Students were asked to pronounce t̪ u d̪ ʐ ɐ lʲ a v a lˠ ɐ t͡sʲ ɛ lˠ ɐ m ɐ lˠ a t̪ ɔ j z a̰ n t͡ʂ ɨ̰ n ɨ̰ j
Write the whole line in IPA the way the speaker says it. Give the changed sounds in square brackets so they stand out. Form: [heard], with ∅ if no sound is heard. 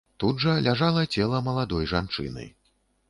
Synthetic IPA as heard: t̪ u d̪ ʐ ɐ lʲ a [ʐ] a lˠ ɐ t͡sʲ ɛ lˠ ɐ m ɐ lˠ a [d̪] ɔ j [ʐ] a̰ n t͡ʂ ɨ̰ n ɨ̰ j